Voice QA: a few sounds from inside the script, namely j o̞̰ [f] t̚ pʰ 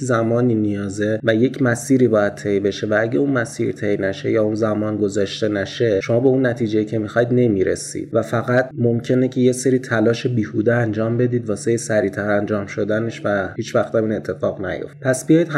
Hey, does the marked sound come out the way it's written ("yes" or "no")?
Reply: yes